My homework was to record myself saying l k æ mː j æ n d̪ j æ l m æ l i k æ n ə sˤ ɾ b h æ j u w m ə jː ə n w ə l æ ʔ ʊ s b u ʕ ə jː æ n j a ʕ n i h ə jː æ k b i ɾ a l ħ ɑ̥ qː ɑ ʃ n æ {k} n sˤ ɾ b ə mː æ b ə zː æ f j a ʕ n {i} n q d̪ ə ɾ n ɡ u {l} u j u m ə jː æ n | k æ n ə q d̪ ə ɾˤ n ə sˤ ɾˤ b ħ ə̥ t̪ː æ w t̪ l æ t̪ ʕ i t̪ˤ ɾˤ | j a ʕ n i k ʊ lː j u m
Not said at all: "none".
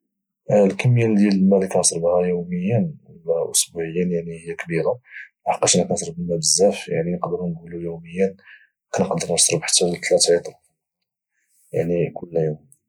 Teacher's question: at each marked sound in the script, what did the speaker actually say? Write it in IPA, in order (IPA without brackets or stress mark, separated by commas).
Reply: k, i, l